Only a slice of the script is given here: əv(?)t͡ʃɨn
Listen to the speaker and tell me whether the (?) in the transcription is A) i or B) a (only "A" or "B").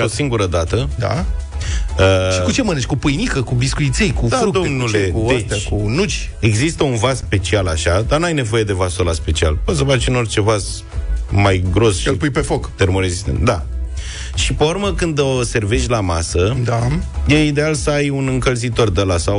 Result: B